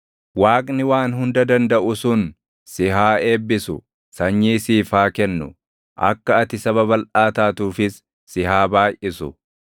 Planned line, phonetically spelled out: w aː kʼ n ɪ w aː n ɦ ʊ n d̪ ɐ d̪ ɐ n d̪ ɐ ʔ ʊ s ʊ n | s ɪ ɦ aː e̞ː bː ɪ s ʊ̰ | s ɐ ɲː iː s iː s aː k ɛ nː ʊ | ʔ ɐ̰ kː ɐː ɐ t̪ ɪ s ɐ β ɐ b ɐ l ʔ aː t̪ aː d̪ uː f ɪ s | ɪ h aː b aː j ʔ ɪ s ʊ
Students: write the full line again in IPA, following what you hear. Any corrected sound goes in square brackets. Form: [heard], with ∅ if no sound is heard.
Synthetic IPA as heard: w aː kʼ n ɪ w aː n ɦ ʊ n d̪ ɐ d̪ ɐ n d̪ ɐ ʔ ʊ s ʊ n | s ɪ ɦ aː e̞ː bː ɪ s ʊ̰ | s ɐ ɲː iː s iː [f] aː k ɛ nː ʊ | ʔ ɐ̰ kː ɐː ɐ t̪ ɪ s ɐ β ɐ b ɐ l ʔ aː t̪ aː [t̪] uː f ɪ [sː] | ɪ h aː b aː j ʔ ɪ s ʊ